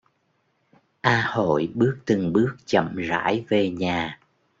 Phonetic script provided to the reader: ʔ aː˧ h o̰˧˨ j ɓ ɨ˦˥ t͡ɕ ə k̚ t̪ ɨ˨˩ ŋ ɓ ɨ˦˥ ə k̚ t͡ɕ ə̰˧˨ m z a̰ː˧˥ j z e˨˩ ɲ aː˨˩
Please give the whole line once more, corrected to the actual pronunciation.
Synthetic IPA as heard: ʔ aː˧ h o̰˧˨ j ɓ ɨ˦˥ ə k̚ t̪ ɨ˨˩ ŋ ɓ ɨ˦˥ ə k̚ t͡ɕ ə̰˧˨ m z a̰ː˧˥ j v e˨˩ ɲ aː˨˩

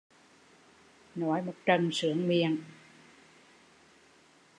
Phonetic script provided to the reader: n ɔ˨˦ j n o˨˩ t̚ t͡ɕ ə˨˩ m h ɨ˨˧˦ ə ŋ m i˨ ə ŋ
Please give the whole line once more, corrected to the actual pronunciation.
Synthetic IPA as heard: n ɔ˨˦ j m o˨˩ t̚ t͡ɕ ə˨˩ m s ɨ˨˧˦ ə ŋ m i˨ ə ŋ

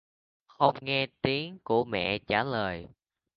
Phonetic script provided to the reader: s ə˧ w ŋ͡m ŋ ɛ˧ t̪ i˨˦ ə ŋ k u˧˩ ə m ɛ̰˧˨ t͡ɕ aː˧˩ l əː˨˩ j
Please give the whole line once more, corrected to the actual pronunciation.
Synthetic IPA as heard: x ə˧ w ŋ͡m ŋ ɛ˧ t̪ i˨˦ ə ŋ k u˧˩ ə m ɛ̰˧˨ t͡ɕ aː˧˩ l əː˨˩ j

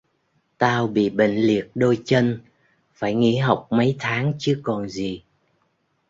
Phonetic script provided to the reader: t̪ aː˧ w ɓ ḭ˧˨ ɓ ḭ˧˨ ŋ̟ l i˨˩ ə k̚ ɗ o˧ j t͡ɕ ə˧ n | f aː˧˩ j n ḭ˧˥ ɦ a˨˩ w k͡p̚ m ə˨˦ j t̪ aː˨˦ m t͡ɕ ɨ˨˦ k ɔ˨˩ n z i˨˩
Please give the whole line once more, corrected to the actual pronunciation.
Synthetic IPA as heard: t̪ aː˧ w ɓ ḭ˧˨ ɓ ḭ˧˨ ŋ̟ l i˨˩ ə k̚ ɗ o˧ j t͡ɕ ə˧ n | f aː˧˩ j ŋ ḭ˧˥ ɦ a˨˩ w k͡p̚ m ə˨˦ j t̪ʰ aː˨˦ ŋ t͡ɕ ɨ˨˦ k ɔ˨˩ n z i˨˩

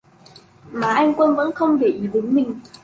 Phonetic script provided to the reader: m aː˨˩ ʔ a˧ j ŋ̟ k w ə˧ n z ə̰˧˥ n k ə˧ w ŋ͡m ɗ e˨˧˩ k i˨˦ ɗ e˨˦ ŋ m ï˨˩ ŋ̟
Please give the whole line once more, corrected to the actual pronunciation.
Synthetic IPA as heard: m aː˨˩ ʔ a˧ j ŋ̟ k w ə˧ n v ə̰˧˥ n x ə˧ w ŋ͡m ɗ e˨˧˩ ʔ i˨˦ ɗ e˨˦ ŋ m ï˨˩ ŋ̟

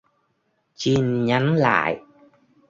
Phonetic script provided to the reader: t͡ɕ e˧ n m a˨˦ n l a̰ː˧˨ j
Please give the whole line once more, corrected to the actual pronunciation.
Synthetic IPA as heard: t͡ɕ i˧ n ɲ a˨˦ n l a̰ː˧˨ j

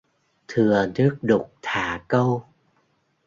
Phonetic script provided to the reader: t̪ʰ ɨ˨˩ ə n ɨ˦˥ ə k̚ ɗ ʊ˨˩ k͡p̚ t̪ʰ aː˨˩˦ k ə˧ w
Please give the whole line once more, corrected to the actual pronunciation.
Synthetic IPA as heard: t̪ʰ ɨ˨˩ ə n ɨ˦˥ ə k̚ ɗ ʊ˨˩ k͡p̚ t̪ʰ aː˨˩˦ k ə˧ w

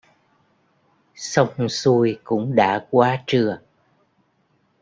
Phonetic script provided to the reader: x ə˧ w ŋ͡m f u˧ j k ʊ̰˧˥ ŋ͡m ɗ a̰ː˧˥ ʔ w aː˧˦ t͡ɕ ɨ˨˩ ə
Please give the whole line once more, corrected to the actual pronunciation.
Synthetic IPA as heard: s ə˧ w ŋ͡m s u˧ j k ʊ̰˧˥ ŋ͡m ɗ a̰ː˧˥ k w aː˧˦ t͡ɕ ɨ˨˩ ə

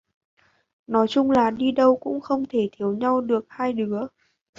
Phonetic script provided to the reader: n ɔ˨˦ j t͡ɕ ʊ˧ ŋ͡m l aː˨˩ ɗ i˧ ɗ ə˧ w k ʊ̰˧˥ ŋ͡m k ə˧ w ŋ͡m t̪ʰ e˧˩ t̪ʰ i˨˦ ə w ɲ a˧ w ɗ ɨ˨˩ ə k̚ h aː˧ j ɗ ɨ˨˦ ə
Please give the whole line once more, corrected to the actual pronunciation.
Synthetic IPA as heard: n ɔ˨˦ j t͡ɕ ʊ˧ ŋ͡m l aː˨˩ ɗ i˧ ɗ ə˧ w k ʊ̰˧˥ ŋ͡m x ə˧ w ŋ͡m t̪ʰ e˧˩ t̪ʰ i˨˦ ə w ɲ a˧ w ɗ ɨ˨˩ ə k̚ h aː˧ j ɗ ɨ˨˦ ə

